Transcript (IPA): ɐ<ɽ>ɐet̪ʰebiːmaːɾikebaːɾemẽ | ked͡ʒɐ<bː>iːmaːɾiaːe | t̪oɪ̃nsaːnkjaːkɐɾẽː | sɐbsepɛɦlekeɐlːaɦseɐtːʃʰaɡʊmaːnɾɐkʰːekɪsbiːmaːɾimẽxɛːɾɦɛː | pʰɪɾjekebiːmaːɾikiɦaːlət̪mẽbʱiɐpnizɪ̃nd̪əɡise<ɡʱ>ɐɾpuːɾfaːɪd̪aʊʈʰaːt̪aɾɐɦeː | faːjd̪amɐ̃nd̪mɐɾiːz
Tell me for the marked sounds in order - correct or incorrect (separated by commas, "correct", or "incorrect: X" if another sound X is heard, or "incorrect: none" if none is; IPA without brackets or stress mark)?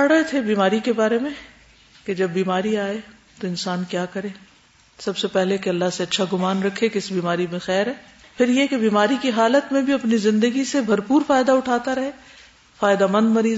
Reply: correct, correct, incorrect: bʱ